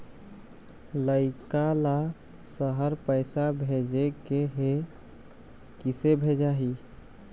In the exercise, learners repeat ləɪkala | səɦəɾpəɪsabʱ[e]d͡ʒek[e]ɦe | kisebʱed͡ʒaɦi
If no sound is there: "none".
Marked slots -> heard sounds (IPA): e, e

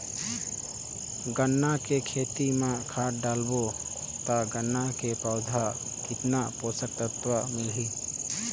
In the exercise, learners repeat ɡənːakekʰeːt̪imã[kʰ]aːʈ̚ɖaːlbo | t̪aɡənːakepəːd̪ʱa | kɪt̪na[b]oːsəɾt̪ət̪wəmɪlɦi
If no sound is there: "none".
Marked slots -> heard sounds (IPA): kʰ, p

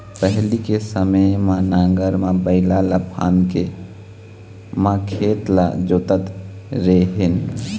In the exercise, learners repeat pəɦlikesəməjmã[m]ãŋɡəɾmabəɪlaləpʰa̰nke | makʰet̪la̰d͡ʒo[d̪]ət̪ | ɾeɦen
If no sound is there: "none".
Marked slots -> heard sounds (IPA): n, t̪

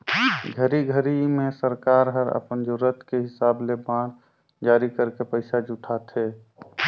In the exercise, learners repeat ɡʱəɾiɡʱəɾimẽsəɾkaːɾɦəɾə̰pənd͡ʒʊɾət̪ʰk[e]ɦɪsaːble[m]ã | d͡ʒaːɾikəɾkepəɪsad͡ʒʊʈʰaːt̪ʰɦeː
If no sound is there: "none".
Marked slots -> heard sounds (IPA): e, b

